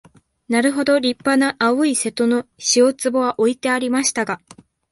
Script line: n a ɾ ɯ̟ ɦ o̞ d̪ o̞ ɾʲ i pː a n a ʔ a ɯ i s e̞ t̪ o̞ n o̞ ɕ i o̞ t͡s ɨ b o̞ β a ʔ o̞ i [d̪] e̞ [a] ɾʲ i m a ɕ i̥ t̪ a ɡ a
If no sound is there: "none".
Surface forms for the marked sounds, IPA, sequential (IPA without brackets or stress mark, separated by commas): t̪, a